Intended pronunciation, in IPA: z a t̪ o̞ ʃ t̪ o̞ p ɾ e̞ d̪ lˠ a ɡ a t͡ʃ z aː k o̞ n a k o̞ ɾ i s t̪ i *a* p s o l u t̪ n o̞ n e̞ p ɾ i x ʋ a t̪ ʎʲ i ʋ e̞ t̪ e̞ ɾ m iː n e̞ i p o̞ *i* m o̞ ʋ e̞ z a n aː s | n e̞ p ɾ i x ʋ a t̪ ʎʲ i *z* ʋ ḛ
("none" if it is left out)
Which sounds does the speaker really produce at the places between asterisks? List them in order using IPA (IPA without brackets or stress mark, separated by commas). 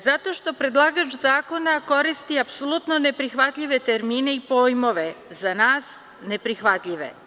a, j, none